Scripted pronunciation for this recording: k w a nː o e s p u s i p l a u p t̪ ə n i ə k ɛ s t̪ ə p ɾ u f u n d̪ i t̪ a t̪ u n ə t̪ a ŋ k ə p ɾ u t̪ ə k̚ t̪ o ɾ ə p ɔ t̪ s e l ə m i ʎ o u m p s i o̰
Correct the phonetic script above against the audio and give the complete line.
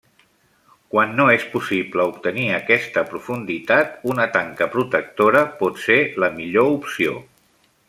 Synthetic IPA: k w a nː o e s p u s i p l ə u p t̪ ə n i ə k ɛ s t̪ ə p ɾ u f u n d̪ i t̪ a t̪ u n ə t̪ a ŋ k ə p ɾ u t̪ ə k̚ t̪ o ɾ ə p ɔ t̪ s e l ə m i ʎ o u p s i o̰